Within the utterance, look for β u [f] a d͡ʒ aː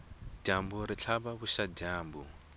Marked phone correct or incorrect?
incorrect